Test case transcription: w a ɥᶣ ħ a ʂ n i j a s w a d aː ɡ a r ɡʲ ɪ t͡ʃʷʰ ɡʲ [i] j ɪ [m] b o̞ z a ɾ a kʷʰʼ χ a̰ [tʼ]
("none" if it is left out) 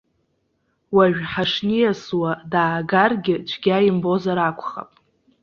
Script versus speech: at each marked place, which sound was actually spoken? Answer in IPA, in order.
a, m, pʼ

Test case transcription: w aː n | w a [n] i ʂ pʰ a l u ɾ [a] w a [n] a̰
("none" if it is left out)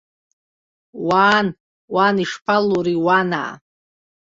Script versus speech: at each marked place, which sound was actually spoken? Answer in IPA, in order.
n, i, n

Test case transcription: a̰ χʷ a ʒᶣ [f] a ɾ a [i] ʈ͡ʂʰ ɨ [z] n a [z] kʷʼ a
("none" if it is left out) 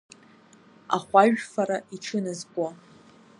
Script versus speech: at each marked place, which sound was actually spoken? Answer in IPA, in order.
f, i, none, z

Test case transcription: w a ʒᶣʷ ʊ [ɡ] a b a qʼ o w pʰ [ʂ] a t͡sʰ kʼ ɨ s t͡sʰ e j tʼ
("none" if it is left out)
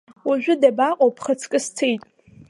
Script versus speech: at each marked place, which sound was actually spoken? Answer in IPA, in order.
d, χ

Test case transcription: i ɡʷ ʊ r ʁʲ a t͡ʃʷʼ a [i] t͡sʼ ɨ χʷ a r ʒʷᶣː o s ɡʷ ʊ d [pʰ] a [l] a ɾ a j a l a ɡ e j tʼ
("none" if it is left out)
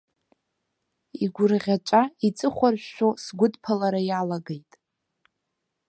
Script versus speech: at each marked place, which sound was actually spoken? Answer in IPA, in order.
i, pʰ, l

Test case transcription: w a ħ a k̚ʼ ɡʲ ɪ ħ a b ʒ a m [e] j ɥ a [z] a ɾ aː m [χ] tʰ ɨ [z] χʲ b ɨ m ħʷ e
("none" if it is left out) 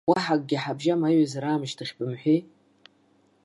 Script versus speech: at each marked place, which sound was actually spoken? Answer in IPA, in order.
a, z, ʃ, none

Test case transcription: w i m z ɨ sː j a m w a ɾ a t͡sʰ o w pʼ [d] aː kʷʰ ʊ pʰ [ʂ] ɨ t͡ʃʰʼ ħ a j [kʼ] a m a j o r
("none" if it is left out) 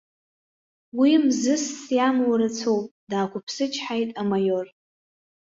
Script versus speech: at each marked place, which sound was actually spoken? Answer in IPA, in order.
d, s, tʼ

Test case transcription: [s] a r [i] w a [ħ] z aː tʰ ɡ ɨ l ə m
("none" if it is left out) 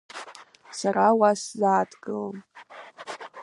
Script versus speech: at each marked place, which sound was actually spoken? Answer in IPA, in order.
s, a, s

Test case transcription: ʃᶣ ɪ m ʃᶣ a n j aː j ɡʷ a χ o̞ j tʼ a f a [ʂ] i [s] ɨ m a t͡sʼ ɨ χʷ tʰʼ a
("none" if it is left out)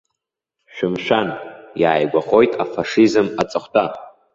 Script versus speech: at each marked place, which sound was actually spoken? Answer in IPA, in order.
ʂ, z

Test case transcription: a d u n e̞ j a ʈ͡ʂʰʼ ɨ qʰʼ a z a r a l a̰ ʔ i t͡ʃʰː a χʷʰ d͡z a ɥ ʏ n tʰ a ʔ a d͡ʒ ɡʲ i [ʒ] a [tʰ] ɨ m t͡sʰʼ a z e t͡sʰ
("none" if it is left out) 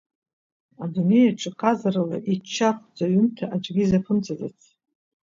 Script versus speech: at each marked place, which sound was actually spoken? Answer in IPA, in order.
z, pʰ

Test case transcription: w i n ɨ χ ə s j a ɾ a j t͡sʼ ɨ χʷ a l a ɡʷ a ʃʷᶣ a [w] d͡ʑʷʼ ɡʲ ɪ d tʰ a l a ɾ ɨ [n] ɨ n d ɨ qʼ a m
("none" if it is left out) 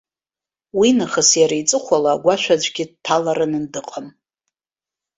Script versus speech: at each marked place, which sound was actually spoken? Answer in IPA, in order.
none, n

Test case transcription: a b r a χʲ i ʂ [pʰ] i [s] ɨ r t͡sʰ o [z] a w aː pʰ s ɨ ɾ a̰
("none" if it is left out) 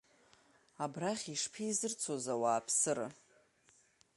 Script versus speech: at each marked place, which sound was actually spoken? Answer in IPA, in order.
pʰ, z, z

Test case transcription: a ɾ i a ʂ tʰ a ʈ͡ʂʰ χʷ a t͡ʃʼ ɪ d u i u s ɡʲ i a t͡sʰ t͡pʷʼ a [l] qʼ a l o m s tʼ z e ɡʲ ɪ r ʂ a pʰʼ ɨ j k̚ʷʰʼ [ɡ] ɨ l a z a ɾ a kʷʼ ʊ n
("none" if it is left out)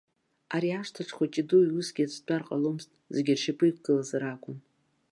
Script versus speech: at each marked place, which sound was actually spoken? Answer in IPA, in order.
r, ɡ

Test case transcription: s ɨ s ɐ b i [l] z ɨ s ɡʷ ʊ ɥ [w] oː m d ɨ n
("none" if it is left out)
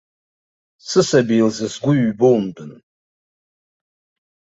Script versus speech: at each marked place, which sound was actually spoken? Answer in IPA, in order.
l, b

